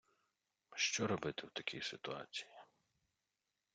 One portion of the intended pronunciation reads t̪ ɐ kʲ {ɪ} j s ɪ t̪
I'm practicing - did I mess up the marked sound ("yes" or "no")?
yes